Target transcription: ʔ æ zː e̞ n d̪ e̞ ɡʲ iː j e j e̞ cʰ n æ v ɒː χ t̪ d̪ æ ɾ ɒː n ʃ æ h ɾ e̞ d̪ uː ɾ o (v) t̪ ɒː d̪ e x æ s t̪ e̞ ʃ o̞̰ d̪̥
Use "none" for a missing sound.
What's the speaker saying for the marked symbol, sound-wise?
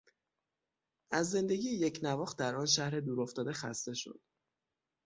f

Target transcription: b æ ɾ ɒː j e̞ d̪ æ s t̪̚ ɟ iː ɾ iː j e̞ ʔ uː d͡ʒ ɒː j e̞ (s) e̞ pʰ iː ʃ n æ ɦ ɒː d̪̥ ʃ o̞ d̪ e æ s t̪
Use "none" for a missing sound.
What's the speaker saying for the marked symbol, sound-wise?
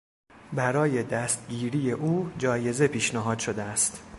z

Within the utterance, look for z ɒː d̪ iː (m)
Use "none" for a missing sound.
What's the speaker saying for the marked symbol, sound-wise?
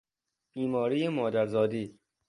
none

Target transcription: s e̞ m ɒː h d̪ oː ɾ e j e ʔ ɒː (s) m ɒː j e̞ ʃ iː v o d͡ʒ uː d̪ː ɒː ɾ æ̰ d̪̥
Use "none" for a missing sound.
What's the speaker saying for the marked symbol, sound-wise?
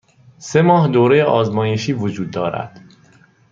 z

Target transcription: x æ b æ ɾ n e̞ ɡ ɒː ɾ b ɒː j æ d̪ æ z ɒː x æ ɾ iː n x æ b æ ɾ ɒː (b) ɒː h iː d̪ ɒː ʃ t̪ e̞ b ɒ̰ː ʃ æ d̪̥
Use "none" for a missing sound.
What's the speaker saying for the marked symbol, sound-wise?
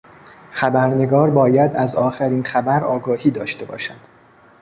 ɡ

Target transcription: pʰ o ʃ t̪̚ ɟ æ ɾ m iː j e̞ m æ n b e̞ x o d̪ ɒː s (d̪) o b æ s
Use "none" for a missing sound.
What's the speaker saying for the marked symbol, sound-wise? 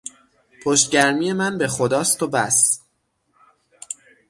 t̪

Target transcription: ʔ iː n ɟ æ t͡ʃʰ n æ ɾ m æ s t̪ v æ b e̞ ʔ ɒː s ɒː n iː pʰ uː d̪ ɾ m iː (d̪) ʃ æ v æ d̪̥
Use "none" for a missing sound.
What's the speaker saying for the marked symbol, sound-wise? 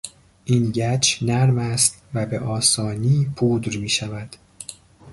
none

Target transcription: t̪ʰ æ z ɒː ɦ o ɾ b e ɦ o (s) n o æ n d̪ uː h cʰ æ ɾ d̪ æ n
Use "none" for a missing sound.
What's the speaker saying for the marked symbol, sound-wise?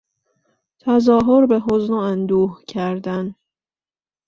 z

